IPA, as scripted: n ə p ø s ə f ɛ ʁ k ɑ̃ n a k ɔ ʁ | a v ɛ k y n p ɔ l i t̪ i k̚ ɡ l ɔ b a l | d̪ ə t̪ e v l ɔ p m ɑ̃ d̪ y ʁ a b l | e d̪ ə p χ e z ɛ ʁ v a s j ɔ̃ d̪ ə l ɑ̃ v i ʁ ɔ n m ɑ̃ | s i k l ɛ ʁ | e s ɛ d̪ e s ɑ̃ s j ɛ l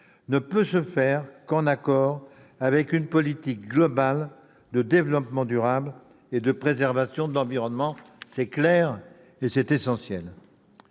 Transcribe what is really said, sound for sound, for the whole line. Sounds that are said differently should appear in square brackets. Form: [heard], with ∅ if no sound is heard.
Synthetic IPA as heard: n ə p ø s ə f ɛ ʁ k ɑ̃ n a k ɔ ʁ | a v ɛ k y n p ɔ l i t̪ i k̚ ɡ l ɔ b a l | d̪ ə [d̪] e v l ɔ p m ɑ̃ d̪ y ʁ a b l | e d̪ ə p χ e z ɛ ʁ v a s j ɔ̃ d̪ ə l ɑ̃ v i ʁ ɔ n m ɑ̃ | s [ɛ] k l ɛ ʁ | e s ɛ [t̪] e s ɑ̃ s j ɛ l